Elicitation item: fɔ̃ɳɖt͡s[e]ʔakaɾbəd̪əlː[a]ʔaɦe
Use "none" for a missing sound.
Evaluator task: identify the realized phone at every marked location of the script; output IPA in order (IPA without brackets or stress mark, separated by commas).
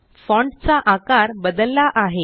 a, a